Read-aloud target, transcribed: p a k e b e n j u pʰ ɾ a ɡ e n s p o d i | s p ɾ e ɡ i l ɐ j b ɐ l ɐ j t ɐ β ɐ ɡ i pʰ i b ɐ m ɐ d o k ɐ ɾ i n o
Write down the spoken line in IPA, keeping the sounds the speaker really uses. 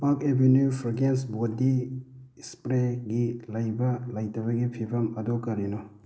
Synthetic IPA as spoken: p a k e b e n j u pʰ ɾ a ɡ e n s b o d i | s p ɾ e ɡ i l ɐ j b ɐ l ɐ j t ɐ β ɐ ɡ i pʰ i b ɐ m ɐ d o k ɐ ɾ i n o